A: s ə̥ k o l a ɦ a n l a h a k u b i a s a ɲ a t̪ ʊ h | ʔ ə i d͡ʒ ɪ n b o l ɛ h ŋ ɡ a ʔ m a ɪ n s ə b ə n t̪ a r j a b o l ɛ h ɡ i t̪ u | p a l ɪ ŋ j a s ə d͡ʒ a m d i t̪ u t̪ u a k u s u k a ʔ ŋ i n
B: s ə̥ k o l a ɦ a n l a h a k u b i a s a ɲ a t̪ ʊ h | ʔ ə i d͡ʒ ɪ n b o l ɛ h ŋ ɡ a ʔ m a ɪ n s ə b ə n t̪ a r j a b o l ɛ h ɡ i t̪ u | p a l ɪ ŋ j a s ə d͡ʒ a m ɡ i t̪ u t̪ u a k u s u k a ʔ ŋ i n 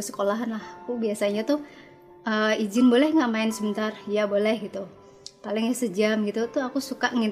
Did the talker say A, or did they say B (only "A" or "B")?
B